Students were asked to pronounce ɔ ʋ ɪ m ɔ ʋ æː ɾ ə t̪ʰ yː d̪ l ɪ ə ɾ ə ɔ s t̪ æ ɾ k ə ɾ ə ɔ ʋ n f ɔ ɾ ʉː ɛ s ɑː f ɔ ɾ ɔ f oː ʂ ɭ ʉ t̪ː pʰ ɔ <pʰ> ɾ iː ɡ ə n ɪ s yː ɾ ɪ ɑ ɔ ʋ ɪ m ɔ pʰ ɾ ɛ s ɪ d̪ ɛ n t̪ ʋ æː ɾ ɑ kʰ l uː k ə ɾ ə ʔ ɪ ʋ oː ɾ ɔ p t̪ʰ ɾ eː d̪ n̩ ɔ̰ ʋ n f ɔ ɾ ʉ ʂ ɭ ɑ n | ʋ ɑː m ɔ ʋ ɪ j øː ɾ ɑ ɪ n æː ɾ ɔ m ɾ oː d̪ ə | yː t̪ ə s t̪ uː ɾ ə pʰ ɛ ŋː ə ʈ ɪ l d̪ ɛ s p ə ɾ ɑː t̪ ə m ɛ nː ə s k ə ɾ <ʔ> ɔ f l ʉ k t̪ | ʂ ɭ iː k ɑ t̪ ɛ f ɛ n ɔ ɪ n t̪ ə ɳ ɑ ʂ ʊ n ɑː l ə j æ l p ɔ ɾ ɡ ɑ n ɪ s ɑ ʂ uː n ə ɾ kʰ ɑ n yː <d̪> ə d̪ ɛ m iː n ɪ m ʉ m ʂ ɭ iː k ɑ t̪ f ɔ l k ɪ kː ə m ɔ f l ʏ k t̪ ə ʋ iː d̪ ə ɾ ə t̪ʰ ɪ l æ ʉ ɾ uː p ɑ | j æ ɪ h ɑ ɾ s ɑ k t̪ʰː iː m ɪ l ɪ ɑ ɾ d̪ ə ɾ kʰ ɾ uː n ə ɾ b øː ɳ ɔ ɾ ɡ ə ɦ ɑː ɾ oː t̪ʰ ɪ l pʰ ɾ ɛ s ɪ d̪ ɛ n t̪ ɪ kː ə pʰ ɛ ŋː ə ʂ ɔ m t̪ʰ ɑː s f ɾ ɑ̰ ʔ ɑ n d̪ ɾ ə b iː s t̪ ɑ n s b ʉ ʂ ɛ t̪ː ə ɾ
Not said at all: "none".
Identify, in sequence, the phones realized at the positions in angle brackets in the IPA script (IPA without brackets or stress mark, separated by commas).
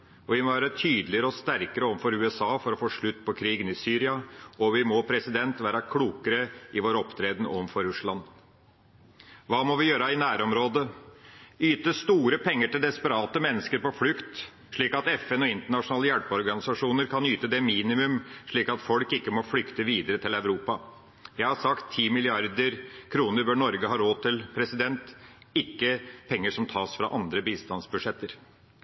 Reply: kʰ, p, t̪